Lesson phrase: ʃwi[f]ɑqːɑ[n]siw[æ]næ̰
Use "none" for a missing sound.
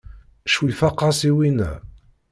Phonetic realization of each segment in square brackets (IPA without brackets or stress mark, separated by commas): f, none, i